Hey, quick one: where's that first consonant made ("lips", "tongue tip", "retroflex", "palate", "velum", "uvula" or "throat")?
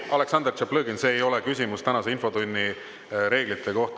tongue tip